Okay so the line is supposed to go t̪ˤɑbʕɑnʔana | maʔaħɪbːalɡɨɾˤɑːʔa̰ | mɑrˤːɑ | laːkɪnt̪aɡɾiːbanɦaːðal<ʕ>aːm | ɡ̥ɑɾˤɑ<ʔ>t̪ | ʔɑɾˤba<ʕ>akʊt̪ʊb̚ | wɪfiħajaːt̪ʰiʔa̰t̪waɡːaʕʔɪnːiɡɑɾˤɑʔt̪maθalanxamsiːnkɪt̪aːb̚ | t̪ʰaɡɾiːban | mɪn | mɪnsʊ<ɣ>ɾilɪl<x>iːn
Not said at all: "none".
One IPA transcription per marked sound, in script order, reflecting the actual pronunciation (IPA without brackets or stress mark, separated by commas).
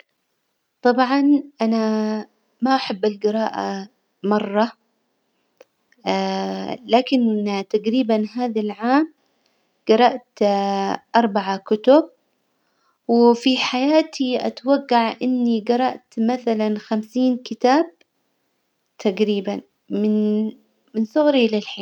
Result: ʕ, ʔ, ʕ, ɣ, ħ